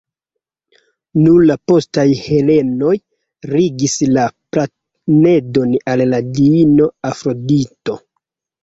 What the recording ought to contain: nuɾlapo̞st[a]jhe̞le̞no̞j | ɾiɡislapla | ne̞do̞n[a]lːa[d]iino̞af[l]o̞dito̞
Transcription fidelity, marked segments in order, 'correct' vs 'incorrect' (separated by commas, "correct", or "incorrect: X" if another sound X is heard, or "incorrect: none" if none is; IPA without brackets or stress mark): correct, correct, correct, incorrect: ɾ